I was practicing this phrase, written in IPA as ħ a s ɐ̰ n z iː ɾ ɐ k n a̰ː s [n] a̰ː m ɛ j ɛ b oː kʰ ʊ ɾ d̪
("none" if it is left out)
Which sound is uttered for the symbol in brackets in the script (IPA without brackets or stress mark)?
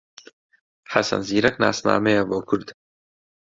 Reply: n